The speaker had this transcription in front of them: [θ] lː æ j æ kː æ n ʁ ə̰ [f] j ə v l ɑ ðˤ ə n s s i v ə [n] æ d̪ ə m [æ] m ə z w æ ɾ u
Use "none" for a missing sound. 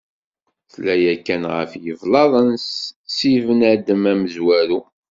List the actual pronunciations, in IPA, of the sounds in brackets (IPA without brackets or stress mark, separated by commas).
θ, f, n, æ